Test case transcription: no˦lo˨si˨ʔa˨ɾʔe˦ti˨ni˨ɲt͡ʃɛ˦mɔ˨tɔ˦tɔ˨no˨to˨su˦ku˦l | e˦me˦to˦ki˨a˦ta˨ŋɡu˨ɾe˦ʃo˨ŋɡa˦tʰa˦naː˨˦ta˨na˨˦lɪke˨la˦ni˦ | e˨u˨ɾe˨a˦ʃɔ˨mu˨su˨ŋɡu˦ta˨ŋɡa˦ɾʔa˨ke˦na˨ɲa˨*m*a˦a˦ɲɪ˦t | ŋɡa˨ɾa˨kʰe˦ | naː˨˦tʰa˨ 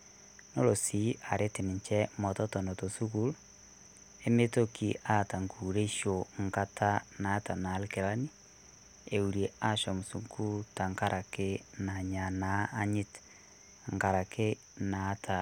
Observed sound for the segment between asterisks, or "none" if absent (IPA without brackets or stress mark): n